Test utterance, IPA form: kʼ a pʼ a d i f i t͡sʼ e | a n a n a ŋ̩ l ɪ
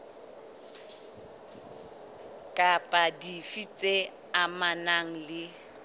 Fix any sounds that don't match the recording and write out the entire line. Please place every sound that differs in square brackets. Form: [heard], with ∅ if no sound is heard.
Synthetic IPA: kʼ a pʼ a d i f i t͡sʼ e | a [m] a n a ŋ̩ l ɪ